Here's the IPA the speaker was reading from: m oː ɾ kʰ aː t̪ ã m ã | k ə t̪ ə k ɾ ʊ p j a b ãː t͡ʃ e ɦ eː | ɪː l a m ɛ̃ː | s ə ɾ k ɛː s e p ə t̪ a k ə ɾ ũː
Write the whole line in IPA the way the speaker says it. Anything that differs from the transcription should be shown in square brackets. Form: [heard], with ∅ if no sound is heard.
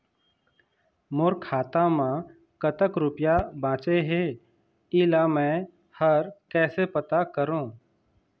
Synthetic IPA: m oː ɾ kʰ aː t̪ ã m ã | k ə t̪ ə k ɾ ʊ p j a b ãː t͡ʃ e ɦ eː | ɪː l a m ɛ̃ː | [h] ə ɾ k ɛː s e p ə t̪ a k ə ɾ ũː